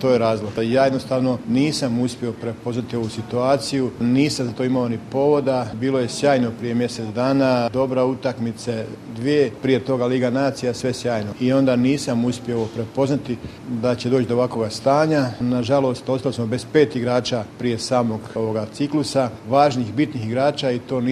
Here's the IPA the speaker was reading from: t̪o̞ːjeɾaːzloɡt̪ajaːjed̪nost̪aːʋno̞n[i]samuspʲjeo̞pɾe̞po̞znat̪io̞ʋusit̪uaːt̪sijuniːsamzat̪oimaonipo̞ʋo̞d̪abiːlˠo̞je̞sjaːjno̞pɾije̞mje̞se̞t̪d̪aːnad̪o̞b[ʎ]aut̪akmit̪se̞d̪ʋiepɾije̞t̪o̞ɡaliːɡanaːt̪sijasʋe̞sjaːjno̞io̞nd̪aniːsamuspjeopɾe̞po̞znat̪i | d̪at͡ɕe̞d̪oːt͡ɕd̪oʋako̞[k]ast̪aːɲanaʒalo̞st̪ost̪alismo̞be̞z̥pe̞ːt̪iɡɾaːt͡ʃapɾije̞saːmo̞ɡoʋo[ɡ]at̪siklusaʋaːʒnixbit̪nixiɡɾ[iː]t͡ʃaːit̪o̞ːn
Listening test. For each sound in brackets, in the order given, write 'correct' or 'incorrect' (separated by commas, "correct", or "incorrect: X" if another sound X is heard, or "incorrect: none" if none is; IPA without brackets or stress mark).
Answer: incorrect: iː, incorrect: ɾ, incorrect: ɡ, correct, incorrect: aː